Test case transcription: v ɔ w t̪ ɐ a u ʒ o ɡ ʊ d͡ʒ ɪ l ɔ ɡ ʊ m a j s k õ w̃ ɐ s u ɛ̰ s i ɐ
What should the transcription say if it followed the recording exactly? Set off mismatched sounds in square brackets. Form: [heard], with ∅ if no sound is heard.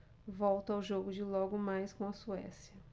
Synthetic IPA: v ɔ w t̪ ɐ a [w] ʒ o ɡ ʊ d͡ʒ ɪ l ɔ ɡ ʊ m a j s k õ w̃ ɐ s u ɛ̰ s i ɐ